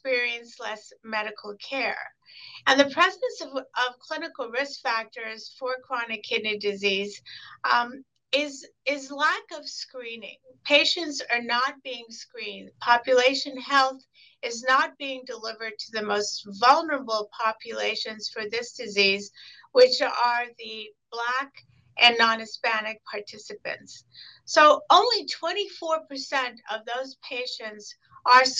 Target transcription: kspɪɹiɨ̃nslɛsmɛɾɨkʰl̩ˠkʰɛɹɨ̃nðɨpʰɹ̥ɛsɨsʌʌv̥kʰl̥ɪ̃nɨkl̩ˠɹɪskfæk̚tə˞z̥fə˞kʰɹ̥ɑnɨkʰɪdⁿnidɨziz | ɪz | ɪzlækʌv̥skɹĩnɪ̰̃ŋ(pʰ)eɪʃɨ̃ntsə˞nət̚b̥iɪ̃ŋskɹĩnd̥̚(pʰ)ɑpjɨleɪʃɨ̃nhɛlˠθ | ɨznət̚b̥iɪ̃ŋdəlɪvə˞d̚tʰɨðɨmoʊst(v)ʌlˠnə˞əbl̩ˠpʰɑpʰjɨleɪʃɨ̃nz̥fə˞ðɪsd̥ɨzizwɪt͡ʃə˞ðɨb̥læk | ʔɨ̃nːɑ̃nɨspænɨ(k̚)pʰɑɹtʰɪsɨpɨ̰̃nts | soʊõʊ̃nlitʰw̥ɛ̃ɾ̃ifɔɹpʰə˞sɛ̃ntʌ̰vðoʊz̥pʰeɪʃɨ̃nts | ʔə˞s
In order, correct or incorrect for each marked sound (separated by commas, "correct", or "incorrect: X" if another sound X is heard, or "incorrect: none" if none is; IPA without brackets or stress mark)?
correct, correct, correct, correct